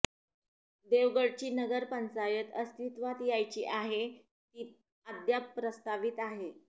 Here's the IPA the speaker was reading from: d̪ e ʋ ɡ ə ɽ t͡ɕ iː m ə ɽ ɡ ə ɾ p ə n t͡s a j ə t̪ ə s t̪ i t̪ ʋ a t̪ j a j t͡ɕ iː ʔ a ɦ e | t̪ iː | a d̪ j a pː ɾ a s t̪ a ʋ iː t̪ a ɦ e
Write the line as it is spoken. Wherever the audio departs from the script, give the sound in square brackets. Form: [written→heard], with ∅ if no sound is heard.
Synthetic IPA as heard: d̪ e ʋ ɡ ə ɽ t͡ɕ iː [m→n] ə [ɽ→∅] ɡ ə ɾ p ə n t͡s a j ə t̪ ə s t̪ i t̪ ʋ a t̪ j a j t͡ɕ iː ʔ a ɦ e | t̪ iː | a d̪ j a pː ɾ [a→ə] s t̪ a ʋ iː t̪ a ɦ e